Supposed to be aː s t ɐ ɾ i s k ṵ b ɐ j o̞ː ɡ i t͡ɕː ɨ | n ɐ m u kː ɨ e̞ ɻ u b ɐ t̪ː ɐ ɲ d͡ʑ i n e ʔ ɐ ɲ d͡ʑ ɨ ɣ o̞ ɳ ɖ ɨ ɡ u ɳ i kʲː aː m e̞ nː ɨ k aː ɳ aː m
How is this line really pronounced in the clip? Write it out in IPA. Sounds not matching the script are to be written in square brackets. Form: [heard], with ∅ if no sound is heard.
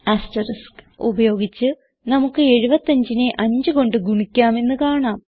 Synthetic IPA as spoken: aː s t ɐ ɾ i s k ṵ b ɐ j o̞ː ɡ i t͡ɕː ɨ | n ɐ m u kː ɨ e̞ ɻ u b ɐ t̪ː ɐ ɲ d͡ʑ i n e ʔ ɐ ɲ d͡ʑ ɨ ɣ o̞ ɳ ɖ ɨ ɡ u ɳ i kʲː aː m e̞ nː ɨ k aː ɳ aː m